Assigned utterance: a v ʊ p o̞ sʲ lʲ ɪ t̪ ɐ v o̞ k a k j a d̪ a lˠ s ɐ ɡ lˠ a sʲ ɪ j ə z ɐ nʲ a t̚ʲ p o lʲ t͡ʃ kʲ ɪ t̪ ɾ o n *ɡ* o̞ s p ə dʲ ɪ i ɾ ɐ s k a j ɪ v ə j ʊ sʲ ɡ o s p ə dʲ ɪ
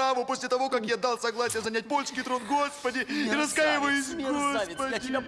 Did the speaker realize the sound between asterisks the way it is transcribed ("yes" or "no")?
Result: yes